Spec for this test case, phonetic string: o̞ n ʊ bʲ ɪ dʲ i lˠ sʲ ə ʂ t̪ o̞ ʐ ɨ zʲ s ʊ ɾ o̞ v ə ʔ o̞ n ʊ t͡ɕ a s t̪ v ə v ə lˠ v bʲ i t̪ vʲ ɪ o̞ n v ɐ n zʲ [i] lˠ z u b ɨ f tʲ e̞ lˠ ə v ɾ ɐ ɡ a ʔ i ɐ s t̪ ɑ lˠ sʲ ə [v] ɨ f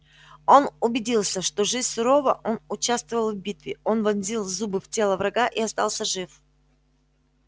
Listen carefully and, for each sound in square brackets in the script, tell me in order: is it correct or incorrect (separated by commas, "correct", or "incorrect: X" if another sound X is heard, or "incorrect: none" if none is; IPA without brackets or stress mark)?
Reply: correct, incorrect: ʐ